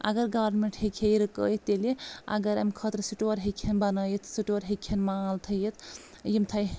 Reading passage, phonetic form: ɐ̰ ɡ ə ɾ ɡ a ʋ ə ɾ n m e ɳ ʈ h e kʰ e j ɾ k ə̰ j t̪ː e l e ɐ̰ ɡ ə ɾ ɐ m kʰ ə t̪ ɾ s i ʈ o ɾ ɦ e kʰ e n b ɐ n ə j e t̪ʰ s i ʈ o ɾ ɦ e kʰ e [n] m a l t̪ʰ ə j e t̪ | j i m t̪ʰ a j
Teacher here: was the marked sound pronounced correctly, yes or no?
yes